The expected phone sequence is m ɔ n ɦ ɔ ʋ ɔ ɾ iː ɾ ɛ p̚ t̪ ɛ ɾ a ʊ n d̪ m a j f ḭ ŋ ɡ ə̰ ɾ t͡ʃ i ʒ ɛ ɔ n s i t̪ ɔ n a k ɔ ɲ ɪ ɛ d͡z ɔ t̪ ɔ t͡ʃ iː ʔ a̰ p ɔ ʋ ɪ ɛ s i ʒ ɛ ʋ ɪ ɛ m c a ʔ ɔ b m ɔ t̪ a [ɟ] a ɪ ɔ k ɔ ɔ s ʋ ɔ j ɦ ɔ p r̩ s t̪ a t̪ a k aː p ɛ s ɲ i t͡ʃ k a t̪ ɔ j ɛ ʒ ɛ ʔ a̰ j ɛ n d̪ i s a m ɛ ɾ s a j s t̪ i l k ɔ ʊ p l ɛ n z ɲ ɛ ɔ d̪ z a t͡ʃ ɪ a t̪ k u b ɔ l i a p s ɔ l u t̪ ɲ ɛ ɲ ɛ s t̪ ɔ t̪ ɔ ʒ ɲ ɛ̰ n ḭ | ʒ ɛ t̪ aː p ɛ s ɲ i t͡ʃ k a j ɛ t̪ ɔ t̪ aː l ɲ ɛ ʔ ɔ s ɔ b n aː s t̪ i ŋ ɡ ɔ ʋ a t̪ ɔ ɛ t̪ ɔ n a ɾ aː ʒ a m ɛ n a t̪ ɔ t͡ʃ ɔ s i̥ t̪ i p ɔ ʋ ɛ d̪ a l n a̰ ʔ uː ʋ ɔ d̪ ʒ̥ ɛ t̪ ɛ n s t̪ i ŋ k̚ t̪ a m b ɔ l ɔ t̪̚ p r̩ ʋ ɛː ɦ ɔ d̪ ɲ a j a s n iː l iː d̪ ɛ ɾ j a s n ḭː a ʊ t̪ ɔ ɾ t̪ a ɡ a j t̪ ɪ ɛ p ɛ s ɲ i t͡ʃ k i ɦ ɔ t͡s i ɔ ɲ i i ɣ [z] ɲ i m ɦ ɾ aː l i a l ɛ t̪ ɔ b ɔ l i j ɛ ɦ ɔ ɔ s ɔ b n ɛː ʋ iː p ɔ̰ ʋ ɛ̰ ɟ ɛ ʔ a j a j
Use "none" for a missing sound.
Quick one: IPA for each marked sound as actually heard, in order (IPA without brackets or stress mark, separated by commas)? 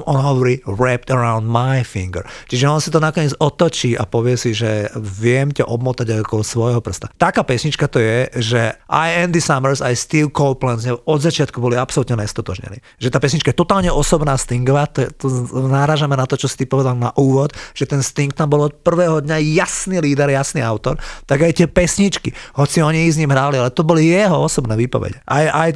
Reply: ɟ, z